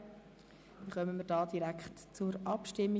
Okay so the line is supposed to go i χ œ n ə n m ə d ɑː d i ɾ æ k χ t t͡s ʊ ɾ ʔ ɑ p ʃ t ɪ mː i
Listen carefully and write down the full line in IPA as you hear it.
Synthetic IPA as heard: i χ œ m ə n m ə d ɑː d i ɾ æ k χ t t͡s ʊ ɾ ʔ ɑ p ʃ t ɪ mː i